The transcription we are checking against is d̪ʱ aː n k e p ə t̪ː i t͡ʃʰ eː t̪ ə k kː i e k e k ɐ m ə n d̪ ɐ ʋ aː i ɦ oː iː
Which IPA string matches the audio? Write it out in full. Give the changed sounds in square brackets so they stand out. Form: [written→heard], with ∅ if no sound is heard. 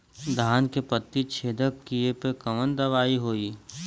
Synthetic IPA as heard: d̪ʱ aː n k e p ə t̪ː i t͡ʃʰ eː [t̪→d̪] ə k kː i e [k→p] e k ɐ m ə n d̪ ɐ ʋ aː i ɦ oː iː